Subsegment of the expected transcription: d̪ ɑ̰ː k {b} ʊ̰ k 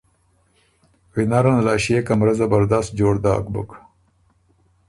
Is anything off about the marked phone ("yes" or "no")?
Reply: no